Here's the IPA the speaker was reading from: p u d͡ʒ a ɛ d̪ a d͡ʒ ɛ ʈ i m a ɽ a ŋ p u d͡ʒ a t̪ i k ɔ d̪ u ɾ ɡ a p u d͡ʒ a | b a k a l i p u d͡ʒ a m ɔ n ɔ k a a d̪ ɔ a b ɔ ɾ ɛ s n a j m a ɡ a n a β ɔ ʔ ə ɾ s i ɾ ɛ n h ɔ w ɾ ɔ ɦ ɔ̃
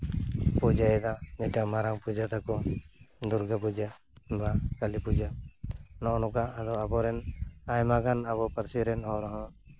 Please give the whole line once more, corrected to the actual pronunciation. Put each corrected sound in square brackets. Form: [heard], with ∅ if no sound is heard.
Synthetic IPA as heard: p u d͡ʒ a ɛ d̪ a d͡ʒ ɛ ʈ [a] m a [ɾ] a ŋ p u d͡ʒ a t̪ [a] k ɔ d̪ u ɾ ɡ a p u d͡ʒ a | b a k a l i p u d͡ʒ a [n] ɔ n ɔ k a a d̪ ɔ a b ɔ ɾ ɛ [∅] n a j m a ɡ a n a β ɔ [p] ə ɾ s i ɾ ɛ n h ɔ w ɾ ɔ ɦ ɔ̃